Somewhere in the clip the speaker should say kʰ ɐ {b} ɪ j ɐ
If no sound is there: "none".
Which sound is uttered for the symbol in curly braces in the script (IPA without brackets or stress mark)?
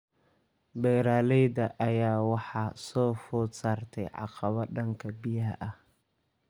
b